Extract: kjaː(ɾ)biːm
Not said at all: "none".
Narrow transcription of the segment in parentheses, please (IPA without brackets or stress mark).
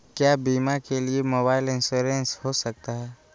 none